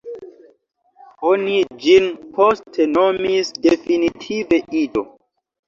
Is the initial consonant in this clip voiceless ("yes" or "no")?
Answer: no